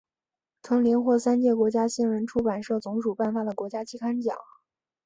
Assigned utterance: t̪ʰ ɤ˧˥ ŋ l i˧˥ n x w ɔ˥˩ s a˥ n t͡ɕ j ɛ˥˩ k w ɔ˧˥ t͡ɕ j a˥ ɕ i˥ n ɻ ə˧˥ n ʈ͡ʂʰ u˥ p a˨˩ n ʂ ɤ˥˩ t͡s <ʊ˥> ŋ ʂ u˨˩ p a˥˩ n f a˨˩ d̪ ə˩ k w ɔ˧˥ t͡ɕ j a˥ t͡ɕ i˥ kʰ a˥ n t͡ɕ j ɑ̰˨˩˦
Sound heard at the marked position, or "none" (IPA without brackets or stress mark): ʊ˧˥